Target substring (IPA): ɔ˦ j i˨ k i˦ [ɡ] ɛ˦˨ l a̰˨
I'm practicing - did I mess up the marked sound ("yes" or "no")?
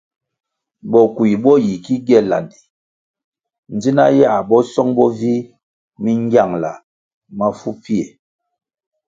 no